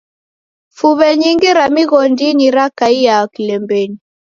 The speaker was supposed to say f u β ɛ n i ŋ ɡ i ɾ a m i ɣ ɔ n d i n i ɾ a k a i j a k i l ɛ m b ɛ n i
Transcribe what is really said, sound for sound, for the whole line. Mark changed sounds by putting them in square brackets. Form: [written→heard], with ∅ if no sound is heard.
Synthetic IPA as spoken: f u β ɛ [n→ɲ] i ŋ ɡ i ɾ a m i ɣ ɔ n d i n i ɾ a k a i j a k i l ɛ m b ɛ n i